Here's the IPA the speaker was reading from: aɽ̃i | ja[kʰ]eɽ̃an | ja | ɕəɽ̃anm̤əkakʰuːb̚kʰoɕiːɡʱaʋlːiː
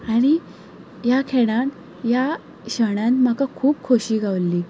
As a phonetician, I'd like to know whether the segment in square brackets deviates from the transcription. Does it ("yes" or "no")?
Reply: no